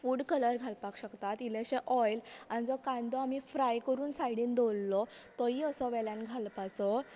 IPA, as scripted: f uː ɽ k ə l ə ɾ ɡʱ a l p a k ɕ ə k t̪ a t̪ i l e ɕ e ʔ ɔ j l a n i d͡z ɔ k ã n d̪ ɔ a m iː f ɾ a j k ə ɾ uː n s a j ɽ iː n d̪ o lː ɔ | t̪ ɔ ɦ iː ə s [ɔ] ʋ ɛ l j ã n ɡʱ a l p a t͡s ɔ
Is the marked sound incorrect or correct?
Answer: correct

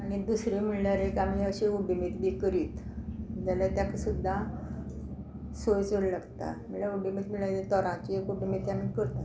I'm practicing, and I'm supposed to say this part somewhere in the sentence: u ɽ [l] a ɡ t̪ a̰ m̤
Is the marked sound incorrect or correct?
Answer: correct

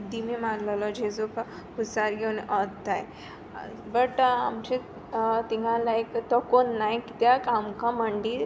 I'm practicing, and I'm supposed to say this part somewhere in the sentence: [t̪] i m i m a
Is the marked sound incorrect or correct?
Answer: incorrect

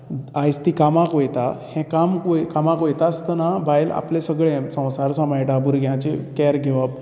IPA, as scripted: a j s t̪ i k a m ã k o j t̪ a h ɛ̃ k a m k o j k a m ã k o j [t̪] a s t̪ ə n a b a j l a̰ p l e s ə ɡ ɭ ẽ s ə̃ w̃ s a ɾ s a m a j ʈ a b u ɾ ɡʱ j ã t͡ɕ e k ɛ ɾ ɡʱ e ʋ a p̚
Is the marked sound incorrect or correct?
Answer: correct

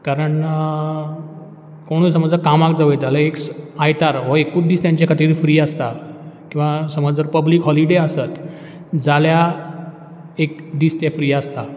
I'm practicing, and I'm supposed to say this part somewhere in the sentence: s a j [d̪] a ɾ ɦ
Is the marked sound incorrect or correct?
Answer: incorrect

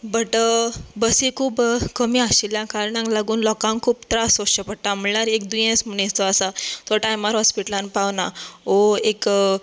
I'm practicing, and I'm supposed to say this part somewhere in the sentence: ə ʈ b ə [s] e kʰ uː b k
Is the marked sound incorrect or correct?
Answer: correct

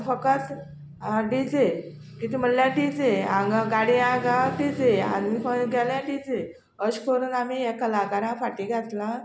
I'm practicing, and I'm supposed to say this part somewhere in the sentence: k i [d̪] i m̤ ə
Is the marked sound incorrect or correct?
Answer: incorrect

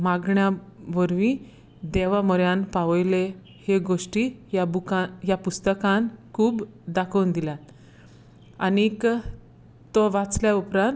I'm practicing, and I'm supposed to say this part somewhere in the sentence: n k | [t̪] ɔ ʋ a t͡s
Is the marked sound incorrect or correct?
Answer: correct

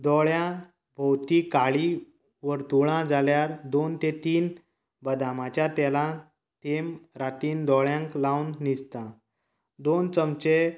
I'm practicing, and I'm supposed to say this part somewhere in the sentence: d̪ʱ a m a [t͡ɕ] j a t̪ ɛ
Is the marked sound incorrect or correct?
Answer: correct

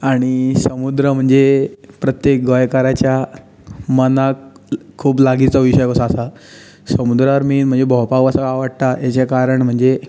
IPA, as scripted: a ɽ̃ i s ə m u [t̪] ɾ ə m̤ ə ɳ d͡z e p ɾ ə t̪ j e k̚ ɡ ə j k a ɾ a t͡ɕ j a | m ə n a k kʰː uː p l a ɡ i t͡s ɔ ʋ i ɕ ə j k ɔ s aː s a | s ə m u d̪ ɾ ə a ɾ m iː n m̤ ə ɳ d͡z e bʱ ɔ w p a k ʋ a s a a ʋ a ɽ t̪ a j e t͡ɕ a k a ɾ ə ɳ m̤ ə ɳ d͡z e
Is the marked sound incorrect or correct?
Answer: incorrect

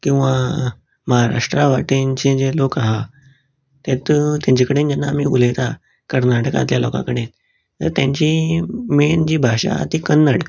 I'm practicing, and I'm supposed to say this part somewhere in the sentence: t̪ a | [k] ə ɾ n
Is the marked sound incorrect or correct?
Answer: correct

